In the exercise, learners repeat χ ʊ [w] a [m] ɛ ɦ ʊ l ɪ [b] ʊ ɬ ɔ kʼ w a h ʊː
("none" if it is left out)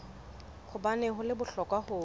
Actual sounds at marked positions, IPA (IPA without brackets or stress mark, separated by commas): b, n, b